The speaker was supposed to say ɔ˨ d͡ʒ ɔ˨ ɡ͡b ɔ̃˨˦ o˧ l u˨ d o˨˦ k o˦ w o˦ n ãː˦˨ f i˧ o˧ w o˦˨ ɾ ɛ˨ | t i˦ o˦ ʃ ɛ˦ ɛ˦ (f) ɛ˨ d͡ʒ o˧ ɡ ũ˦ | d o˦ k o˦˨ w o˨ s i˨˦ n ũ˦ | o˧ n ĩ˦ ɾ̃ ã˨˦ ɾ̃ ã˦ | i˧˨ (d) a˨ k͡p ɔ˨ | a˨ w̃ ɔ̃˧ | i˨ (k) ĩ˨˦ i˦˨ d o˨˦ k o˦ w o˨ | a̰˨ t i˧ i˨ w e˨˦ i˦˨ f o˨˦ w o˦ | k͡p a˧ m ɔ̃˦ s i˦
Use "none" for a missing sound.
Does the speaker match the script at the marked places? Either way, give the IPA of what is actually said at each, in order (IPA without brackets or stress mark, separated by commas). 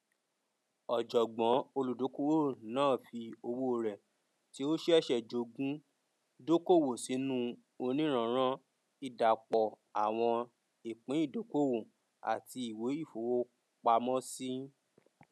ʃ, d, k͡p